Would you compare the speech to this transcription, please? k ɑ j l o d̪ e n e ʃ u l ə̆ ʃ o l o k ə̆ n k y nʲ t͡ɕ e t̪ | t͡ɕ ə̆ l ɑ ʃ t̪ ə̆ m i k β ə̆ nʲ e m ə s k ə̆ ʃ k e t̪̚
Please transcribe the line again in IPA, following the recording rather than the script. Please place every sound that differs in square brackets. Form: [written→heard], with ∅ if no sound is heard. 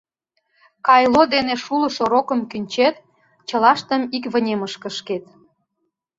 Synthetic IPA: k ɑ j l o d̪ e n e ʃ u l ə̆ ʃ o [l→ɾ] o k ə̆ [n→m] k y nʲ t͡ɕ e t̪ | t͡ɕ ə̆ l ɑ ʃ t̪ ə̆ m i k β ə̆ nʲ e m ə [s→ʃ] k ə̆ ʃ k e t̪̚